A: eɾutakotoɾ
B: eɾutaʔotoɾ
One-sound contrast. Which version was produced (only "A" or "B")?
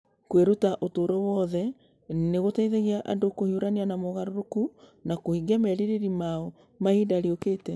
B